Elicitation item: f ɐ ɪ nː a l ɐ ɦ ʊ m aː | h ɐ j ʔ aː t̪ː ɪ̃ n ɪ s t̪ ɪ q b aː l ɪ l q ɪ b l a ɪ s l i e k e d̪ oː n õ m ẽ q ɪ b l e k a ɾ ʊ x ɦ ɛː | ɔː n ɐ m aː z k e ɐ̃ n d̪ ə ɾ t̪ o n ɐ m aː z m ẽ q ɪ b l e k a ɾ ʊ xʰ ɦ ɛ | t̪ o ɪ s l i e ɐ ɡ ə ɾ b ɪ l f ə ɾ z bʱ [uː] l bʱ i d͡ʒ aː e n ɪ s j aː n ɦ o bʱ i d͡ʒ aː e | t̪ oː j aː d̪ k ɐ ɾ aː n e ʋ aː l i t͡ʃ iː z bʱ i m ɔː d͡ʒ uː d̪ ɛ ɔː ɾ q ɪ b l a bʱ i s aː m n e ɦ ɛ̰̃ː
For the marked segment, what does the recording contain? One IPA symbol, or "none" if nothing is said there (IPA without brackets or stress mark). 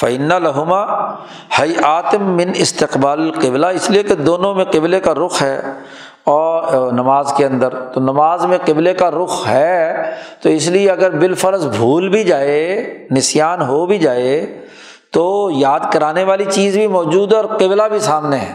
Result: uː